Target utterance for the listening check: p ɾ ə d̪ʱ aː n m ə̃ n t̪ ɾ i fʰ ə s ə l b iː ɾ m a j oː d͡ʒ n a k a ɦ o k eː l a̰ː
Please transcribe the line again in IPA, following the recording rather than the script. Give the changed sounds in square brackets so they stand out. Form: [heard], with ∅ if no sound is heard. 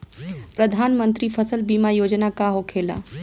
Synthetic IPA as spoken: p ɾ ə d̪ʱ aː n m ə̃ n t̪ ɾ i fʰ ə s ə l b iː [∅] m a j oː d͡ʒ n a k a ɦ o [kʰ] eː l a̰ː

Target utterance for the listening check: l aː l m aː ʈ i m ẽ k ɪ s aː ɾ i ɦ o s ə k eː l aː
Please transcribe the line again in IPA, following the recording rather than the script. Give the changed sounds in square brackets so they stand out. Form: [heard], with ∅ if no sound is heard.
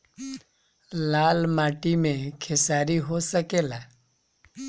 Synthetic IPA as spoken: l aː l m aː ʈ i m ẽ [kʰ] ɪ s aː ɾ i ɦ o s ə k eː l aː

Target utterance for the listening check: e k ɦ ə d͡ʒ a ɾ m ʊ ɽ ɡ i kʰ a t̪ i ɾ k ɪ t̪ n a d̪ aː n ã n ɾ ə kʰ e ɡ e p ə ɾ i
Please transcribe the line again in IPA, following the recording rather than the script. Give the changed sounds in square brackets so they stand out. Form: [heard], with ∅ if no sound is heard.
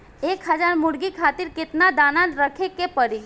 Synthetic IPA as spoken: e k ɦ ə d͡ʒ a ɾ m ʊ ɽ ɡ i kʰ a t̪ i ɾ k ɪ t̪ n a d̪ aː n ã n ɾ ə kʰ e [k] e p ə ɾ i

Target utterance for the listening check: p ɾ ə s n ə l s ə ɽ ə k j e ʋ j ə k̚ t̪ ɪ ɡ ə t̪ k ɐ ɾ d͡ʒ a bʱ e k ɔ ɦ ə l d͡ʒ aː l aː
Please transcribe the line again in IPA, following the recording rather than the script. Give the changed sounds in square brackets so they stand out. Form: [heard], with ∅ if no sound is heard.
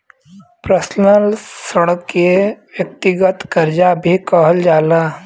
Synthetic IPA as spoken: p ɾ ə s n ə l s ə ɽ ə k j e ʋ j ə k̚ t̪ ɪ ɡ ə t̪ k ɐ ɾ d͡ʒ a bʱ [i] k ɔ ɦ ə l d͡ʒ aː l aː

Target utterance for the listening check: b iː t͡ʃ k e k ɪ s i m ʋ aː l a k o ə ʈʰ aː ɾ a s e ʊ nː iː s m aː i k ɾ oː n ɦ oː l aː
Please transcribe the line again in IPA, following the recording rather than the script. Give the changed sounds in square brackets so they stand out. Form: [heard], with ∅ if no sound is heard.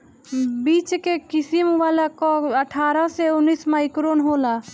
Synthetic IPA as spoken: b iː t͡ʃ k e k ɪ s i m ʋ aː l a k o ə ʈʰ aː ɾ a s e ʊ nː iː s m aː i k ɾ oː n ɦ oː l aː

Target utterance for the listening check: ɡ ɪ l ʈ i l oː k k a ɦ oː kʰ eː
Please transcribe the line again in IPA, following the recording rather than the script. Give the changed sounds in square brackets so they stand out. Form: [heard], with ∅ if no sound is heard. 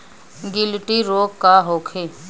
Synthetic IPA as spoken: ɡ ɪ l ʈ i [ɾ] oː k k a ɦ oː kʰ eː

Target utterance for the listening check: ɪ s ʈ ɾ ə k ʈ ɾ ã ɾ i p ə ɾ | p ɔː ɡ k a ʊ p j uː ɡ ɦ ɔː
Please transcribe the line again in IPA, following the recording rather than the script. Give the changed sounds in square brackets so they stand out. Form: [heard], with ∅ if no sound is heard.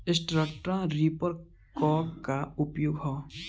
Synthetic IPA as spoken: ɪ s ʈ ɾ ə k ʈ ɾ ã ɾ i p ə ɾ | [k] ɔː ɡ k a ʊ p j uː ɡ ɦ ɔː

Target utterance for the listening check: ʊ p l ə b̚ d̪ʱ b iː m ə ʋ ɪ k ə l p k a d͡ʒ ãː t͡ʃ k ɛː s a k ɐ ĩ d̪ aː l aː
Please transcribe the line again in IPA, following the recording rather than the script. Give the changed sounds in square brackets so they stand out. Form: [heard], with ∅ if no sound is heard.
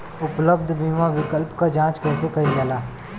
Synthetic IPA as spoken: ʊ p l ə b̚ d̪ʱ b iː m [a] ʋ ɪ k ə l p k a d͡ʒ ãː t͡ʃ k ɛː s [e] k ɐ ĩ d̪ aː l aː

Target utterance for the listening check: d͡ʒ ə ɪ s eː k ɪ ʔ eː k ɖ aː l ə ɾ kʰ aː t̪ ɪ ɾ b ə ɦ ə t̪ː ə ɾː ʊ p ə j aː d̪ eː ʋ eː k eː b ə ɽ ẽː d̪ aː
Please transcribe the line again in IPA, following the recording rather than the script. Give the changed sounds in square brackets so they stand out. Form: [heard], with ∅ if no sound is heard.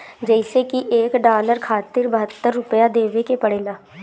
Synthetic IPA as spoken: d͡ʒ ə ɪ s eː k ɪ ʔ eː k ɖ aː l ə ɾ kʰ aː t̪ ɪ ɾ b ə ɦ ə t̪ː ə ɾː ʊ p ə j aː d̪ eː ʋ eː k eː [p] ə ɽ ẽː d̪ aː

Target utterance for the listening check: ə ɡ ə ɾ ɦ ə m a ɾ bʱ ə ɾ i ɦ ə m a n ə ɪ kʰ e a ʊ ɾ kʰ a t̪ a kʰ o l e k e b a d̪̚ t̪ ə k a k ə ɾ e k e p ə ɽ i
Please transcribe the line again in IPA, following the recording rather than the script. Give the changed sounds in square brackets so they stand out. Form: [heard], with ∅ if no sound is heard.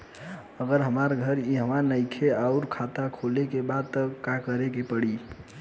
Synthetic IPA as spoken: ə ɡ ə ɾ ɦ ə m a ɾ [ɡʱ] ə ɾ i ɦ ə m a n ə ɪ kʰ e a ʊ ɾ kʰ a t̪ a kʰ o l e k e b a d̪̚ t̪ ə k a k ə ɾ e k e p ə ɽ i

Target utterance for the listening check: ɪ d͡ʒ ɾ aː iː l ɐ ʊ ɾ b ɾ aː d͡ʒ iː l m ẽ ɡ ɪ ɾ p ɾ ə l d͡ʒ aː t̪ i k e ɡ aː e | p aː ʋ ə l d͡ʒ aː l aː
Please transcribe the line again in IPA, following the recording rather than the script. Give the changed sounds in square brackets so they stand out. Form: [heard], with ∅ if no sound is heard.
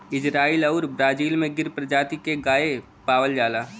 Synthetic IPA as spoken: ɪ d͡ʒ ɾ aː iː l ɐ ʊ ɾ b ɾ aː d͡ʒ iː l m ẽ ɡ ɪ ɾ p ɾ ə [∅] d͡ʒ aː t̪ i k e ɡ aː e | p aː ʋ ə l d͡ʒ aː l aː

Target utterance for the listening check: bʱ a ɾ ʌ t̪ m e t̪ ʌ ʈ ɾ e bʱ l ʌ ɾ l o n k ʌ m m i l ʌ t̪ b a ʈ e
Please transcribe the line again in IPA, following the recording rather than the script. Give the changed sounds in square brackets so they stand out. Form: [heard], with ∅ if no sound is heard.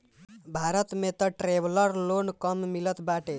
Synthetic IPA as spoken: bʱ a ɾ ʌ t̪ m e t̪ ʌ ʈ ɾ e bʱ l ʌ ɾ l o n k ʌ m m i l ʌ t̪ b a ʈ e

